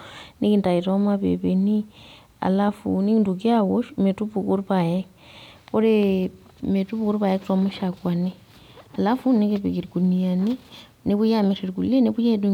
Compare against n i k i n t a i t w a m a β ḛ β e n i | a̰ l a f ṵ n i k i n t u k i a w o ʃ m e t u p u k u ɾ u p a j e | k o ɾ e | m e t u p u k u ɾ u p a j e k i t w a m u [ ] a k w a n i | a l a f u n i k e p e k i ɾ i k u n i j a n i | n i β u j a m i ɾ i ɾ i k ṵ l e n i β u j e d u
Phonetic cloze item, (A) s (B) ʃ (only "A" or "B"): B